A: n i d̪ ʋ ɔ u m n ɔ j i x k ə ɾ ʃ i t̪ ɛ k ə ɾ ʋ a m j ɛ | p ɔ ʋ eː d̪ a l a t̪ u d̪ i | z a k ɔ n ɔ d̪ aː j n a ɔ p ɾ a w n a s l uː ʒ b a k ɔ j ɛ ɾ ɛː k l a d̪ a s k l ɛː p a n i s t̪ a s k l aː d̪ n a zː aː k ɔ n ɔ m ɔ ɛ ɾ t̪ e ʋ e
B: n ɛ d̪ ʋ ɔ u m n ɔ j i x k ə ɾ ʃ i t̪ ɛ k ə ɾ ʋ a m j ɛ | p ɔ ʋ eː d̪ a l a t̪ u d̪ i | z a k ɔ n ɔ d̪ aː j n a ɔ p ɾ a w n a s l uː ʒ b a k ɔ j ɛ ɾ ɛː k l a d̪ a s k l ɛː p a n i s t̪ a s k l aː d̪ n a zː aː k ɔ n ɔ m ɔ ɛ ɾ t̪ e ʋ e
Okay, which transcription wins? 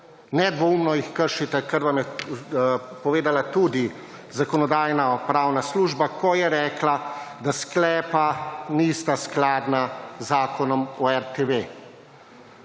B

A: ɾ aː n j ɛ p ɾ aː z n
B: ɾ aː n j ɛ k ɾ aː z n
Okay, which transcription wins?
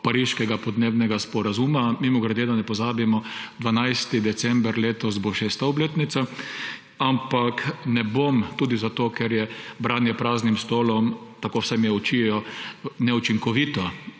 A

